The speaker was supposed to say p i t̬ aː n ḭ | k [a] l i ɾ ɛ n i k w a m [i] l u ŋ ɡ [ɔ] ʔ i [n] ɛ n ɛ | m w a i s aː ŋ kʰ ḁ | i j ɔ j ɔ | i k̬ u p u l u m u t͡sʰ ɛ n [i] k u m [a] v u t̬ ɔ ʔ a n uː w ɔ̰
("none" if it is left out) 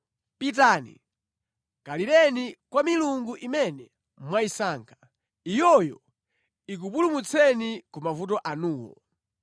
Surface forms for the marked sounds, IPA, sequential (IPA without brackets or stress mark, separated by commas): a, i, u, m, i, a